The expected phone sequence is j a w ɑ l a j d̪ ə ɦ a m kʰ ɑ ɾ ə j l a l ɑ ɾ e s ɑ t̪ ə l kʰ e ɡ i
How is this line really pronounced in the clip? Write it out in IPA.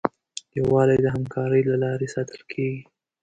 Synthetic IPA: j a w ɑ l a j d̪ ə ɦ a m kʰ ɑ ɾ ə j l a l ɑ ɾ e s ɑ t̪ ə l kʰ e ɡ i